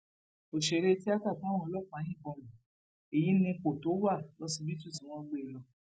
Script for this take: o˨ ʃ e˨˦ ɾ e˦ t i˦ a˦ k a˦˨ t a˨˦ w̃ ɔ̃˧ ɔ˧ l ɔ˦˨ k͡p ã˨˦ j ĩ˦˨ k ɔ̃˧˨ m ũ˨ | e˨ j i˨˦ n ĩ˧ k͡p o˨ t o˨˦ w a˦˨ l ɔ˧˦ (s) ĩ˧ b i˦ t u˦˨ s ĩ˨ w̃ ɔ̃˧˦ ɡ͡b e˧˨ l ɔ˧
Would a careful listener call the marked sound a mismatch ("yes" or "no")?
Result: no